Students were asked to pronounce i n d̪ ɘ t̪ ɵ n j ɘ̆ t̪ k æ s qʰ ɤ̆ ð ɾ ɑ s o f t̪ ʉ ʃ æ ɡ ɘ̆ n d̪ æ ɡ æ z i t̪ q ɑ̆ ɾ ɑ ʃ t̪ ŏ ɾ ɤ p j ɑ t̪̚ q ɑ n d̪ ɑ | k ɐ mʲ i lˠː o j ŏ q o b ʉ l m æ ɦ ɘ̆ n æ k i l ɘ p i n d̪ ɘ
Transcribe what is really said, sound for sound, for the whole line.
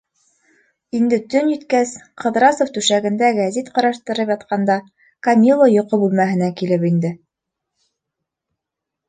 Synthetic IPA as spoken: i n d̪ ɘ t̪ ɵ n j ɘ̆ t̪ k æ s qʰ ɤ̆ ð ɾ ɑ s o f t̪ ʉ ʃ æ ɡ ɘ̆ n d̪ æ ɡ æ z i t̪ q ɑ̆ ɾ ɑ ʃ t̪ ɤ̆ ɾ ɤ p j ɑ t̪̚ q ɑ n d̪ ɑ | k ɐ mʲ i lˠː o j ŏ q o b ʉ l m æ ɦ ɘ̆ n æ k i l ɘ p i n d̪ ɘ